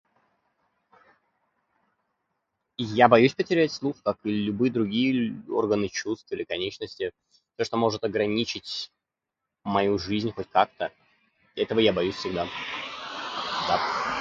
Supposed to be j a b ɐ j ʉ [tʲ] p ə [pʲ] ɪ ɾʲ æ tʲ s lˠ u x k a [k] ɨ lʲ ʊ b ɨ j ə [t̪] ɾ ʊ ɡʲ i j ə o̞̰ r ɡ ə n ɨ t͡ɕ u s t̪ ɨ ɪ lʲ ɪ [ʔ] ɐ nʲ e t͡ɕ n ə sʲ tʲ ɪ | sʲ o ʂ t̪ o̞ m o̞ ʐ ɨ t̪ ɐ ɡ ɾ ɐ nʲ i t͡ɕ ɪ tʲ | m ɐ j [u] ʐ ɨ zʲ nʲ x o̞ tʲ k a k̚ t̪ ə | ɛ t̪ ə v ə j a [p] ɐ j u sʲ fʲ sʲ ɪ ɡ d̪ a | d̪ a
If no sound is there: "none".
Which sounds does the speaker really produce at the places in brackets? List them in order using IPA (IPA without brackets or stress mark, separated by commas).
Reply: sʲ, tʲ, k, d̪, k, u, b